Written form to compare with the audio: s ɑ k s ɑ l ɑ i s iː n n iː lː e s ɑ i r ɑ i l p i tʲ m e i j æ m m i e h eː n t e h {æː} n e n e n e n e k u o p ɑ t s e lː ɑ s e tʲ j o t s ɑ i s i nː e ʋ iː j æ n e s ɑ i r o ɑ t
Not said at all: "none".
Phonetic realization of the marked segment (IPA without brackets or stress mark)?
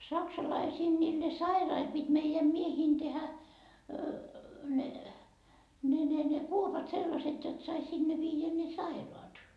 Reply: æ